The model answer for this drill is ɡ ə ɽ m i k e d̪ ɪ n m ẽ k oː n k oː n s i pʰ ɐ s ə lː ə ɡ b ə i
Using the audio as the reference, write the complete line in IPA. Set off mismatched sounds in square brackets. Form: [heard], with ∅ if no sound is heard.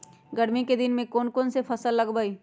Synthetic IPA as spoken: ɡ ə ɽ m i k e d̪ ɪ n m ẽ k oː n k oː n s [e] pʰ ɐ s ə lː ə ɡ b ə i